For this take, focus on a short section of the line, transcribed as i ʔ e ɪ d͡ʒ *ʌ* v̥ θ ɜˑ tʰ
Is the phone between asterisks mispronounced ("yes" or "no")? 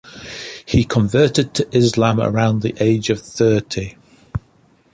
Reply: yes